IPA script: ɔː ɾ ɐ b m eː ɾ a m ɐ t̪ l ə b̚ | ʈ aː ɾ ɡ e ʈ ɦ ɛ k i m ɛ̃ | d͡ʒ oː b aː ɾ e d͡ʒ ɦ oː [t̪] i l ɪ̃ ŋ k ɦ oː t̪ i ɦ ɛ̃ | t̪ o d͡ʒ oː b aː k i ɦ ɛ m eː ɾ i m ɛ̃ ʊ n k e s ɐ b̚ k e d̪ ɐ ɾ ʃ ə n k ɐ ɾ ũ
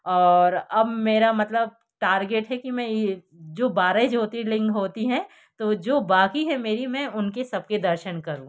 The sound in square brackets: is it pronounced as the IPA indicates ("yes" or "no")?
yes